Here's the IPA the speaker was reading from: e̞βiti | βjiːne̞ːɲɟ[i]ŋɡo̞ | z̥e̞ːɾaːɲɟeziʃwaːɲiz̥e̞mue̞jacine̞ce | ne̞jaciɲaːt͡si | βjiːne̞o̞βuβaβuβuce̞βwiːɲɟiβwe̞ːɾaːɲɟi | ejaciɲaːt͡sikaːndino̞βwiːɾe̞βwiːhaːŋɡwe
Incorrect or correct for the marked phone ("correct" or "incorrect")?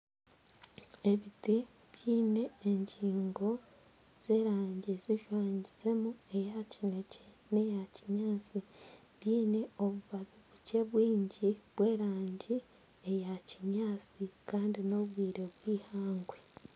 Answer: incorrect